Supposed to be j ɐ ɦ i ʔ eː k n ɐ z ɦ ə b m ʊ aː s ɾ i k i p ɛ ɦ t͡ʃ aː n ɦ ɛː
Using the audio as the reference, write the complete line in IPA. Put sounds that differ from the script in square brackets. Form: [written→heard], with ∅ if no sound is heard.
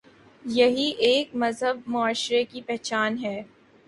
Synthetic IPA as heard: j ɐ ɦ i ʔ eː k [n→m] ɐ z ɦ ə b m ʊ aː [s→ʃ] ɾ [i→e] k i p ɛ ɦ t͡ʃ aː n ɦ ɛː